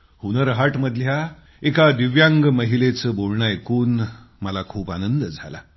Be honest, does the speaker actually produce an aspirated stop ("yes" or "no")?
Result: yes